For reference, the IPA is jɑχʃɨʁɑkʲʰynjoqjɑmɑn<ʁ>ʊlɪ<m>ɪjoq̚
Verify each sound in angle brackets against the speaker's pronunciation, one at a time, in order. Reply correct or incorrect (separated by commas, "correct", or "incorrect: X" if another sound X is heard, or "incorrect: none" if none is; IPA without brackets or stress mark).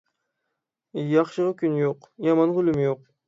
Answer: correct, correct